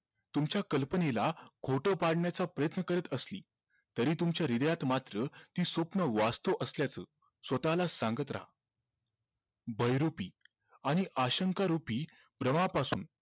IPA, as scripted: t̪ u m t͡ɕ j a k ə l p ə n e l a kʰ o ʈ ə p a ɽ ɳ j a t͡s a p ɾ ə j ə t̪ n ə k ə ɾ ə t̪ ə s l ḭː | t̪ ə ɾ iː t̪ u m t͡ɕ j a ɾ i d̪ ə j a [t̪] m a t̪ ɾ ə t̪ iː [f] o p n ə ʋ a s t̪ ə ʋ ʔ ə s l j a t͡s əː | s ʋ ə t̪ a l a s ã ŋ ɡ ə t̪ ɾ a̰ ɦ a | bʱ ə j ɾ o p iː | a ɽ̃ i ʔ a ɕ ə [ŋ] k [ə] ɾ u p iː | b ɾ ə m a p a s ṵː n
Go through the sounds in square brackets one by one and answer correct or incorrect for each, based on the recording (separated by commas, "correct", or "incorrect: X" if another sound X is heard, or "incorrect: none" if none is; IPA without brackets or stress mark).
correct, incorrect: s, correct, incorrect: a